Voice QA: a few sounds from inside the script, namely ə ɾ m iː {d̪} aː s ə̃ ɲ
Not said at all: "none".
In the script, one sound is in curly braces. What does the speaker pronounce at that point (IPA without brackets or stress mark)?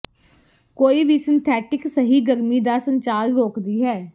d̪